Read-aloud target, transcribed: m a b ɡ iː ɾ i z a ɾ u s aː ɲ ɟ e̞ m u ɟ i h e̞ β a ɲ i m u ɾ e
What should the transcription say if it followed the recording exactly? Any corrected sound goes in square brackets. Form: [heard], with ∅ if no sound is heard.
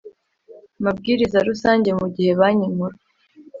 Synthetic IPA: m a b ɡ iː ɾ i z a ɾ u s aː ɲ ɟ e̞ m u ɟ i h e̞ β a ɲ i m u ɾ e